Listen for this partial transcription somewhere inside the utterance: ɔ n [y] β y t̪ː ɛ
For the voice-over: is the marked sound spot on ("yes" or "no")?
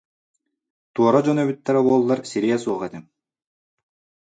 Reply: no